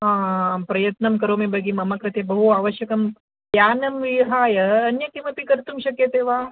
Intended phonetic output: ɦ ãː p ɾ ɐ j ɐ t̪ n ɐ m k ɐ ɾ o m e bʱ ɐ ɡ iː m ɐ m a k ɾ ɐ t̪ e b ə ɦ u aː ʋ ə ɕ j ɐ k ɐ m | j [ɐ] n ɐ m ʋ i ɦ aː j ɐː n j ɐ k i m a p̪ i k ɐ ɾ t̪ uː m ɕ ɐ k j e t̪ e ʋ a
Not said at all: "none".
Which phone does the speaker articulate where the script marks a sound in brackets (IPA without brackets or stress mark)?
a